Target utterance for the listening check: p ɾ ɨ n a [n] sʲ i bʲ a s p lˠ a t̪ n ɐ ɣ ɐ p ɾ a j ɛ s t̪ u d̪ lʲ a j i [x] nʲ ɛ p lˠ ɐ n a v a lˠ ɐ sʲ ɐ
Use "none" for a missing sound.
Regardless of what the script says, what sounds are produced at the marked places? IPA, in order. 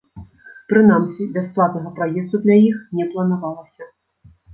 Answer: m, x

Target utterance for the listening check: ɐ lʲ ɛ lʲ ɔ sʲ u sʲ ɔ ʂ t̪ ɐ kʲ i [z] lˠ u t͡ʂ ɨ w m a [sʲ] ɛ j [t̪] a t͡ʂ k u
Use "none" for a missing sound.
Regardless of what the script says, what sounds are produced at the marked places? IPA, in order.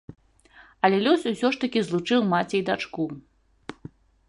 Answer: z, t͡sʲ, d̪

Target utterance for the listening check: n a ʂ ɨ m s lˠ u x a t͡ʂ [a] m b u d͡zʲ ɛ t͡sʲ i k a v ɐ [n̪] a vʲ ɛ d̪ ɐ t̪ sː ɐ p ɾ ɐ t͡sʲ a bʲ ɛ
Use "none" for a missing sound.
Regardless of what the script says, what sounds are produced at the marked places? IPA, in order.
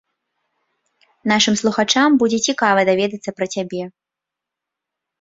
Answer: a, d̪

